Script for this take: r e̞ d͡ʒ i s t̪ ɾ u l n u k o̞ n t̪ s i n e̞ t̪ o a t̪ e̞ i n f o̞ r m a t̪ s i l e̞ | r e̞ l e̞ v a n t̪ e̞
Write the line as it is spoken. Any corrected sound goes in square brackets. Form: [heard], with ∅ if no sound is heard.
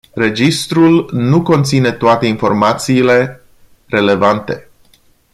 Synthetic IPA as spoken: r e̞ d͡ʒ i s t̪ ɾ u l n u k o̞ n t̪ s i n e̞ t̪ o a t̪ e̞ i n f o̞ r m a t̪ s [iː] l e̞ | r e̞ l e̞ v a n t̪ e̞